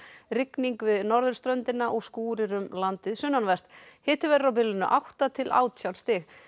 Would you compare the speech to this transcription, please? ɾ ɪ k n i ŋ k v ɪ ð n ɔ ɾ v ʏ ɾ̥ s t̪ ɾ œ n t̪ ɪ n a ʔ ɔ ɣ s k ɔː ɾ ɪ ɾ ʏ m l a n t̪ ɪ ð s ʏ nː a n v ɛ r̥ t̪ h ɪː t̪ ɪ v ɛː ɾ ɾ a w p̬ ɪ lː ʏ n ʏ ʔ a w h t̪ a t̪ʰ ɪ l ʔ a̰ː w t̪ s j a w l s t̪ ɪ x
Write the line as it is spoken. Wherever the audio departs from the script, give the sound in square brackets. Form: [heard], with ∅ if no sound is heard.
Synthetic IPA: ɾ ɪ k n i ŋ k v ɪ ð n ɔ ɾ [ð] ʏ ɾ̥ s t̪ ɾ œ n t̪ ɪ n a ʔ ɔ ɣ s k [uː] ɾ ɪ ɾ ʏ m l a n t̪ ɪ ð s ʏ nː a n v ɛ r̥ t̪ h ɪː t̪ ɪ v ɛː ɾ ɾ a w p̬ ɪ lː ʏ n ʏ ʔ a w h t̪ a t̪ʰ ɪ l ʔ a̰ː w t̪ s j a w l s t̪ ɪ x